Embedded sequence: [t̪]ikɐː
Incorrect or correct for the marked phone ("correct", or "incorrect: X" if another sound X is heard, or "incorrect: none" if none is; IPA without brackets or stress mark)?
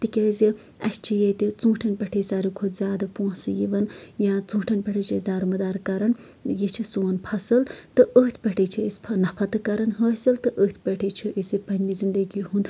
correct